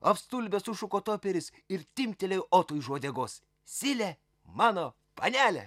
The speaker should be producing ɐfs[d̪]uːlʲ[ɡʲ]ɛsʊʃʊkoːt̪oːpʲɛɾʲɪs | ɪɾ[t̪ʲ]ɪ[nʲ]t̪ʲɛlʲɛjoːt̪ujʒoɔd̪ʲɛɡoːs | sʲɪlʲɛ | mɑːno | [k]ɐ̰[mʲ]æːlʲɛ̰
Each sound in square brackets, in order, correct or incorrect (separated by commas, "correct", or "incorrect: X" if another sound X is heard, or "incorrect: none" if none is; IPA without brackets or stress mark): incorrect: t̪, incorrect: bʲ, correct, incorrect: mʲ, incorrect: p, incorrect: nʲ